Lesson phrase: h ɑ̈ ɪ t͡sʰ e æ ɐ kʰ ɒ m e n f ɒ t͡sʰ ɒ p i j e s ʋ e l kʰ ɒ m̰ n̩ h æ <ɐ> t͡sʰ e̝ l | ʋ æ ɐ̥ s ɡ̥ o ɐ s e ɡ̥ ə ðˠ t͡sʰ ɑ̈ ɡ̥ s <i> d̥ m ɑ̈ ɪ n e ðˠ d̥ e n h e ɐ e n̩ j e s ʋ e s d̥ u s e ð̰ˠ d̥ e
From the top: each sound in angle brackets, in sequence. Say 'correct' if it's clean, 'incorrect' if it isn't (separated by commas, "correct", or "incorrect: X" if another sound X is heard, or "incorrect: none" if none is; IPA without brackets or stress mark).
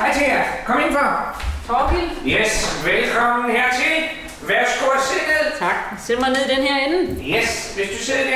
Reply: correct, incorrect: e